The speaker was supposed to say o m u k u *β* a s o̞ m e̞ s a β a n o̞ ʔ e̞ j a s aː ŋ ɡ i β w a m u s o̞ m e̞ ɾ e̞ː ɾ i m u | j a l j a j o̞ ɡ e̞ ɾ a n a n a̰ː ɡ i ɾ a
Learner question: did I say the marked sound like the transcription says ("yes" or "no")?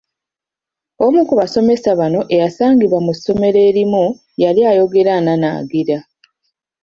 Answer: yes